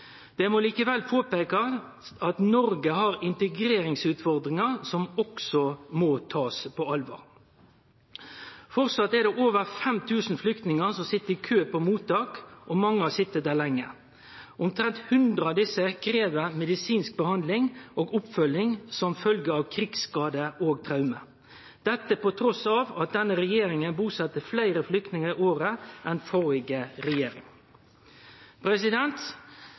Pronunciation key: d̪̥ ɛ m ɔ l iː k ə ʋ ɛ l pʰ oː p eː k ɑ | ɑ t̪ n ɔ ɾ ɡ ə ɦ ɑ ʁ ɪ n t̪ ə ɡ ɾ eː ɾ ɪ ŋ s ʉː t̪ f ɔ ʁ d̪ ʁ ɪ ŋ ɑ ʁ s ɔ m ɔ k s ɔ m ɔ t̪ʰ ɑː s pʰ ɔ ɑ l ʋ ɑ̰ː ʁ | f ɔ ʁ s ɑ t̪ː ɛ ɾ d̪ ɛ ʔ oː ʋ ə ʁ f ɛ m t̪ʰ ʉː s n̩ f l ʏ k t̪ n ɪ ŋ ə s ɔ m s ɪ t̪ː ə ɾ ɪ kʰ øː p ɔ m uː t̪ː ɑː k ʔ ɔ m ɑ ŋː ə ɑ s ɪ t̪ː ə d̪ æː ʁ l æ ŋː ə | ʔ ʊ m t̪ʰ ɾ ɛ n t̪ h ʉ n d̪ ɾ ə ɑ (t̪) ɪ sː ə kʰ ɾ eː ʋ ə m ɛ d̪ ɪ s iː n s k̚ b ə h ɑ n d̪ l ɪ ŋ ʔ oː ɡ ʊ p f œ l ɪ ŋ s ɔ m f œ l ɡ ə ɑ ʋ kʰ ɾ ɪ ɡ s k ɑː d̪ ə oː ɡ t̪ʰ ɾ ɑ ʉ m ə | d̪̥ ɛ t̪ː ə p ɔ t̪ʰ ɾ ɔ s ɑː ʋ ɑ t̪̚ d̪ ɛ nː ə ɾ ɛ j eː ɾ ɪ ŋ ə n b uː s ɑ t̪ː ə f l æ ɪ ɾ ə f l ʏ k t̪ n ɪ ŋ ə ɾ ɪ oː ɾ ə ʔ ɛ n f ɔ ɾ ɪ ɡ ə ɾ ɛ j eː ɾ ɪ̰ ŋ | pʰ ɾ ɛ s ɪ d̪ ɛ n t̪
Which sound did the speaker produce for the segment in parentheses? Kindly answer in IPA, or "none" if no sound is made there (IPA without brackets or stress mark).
d̪